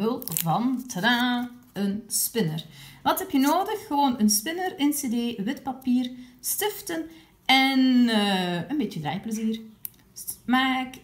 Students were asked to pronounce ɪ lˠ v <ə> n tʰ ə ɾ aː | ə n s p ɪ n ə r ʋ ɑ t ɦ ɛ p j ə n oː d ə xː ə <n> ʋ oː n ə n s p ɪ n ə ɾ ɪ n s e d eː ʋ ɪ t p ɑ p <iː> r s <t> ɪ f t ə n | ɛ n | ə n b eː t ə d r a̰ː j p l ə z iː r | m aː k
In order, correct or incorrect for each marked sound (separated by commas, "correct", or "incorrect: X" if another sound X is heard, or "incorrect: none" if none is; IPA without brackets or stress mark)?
incorrect: ɑ, incorrect: none, correct, correct